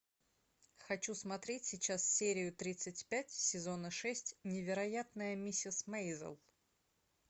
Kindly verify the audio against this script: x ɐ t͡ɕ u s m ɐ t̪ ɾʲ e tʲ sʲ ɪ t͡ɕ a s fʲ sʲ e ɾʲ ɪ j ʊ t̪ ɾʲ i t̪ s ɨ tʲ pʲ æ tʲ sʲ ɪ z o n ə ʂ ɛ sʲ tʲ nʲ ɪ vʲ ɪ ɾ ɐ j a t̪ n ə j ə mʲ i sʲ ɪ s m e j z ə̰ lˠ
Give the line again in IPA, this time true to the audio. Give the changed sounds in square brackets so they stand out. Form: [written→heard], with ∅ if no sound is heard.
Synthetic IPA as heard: x ɐ t͡ɕ u s m ɐ t̪ ɾʲ e tʲ sʲ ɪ t͡ɕ a s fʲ sʲ e ɾʲ ɪ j ʊ t̪ ɾʲ i t̪ s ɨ tʲ pʲ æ tʲ sʲ ɪ z o n ə ʂ ɛ sʲ tʲ nʲ ɪ vʲ ɪ ɾ ɐ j a t̪ n ə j ə mʲ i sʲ ɪ s m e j z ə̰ lˠ